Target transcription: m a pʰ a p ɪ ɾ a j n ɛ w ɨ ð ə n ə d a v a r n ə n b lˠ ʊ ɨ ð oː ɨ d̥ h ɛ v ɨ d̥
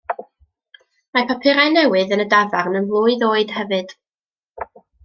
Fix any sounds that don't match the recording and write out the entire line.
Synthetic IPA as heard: m a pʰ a pʰ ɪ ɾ a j n ɛ w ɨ ð ə n ə d a v a r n ə n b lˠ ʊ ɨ ð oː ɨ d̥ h ɛ v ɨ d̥